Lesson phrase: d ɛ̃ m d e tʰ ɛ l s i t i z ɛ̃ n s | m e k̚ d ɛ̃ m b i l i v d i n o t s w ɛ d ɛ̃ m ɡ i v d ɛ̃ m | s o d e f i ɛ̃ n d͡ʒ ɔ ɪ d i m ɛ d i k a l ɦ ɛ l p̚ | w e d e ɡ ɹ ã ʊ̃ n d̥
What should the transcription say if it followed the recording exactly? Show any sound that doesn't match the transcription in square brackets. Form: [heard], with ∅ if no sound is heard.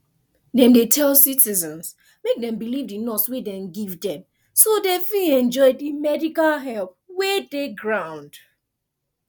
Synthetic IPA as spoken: d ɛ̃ m d e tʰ ɛ l s i t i z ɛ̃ n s | m e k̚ d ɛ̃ m b i l i v d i n [ɔ] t s w [e] d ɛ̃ m ɡ i v d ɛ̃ m | s o d e f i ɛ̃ n d͡ʒ ɔ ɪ d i m ɛ d i k a l ɦ ɛ l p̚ | w e d e ɡ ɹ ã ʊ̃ n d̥